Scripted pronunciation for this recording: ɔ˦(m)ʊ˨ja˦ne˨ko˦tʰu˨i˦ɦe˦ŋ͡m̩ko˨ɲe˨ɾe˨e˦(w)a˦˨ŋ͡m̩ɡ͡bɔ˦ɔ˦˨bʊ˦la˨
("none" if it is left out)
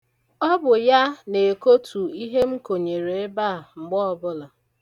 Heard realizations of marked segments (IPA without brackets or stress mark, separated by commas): b, b